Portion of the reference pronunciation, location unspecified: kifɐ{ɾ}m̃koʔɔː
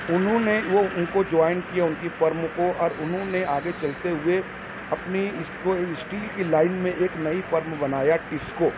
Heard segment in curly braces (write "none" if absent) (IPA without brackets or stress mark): ɾ